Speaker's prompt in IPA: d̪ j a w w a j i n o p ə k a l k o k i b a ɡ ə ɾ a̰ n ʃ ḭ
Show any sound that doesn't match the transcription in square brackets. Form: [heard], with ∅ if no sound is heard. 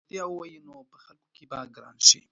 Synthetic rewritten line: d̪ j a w w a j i n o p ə [x] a l k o k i b a ɡ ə ɾ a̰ n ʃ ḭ